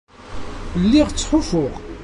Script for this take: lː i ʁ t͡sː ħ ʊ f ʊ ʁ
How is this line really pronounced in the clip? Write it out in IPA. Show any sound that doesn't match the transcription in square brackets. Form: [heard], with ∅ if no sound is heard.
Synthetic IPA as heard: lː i ʁ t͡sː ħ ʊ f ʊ ʁ